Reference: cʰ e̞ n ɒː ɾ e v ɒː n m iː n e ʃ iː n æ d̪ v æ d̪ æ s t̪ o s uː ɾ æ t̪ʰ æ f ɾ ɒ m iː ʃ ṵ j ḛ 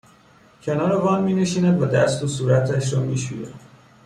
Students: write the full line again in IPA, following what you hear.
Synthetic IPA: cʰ e̞ n ɒː ɾ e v ɒː n m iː n e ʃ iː n æ d̪ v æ d̪ æ s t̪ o s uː ɾ æ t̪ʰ æ ʃ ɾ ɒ m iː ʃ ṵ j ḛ